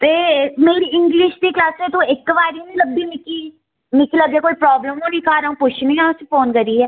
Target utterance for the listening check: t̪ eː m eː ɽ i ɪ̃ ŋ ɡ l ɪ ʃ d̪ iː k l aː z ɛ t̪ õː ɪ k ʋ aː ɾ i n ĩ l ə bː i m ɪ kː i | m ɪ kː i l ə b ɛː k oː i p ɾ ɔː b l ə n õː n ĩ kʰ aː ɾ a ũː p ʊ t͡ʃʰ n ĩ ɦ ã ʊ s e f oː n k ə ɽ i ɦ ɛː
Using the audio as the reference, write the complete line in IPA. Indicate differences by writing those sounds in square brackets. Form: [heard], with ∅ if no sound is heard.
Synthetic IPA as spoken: t̪ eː m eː [ɾ] i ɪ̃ ŋ ɡ l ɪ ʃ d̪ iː k l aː [s] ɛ t̪ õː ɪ k ʋ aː ɾ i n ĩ l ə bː i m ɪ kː i | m ɪ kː i l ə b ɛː k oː i p ɾ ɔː b l ə [m] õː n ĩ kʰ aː ɾ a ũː p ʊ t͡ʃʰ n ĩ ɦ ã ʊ s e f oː n k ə [ɾ] i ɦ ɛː